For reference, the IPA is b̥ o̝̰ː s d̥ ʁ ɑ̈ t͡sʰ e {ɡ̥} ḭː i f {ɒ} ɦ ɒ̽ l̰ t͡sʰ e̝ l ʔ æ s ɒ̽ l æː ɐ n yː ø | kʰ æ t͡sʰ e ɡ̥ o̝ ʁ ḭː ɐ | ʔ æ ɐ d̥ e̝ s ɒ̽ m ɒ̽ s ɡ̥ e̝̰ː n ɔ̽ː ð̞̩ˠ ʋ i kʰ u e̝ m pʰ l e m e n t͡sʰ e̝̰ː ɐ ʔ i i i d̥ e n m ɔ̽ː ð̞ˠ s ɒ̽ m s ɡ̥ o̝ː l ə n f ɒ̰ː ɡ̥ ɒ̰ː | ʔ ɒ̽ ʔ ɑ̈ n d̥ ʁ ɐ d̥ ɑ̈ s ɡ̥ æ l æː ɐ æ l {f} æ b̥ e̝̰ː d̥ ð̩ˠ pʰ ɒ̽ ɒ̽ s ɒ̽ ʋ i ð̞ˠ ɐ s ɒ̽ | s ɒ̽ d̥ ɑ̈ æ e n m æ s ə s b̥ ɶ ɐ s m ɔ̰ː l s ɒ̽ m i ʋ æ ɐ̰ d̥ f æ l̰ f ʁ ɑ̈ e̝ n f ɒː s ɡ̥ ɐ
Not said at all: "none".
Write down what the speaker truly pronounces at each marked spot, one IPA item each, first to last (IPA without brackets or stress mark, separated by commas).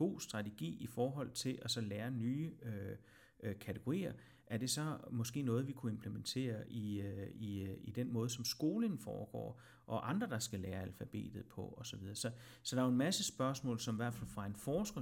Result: ɡ̥, ɒː, f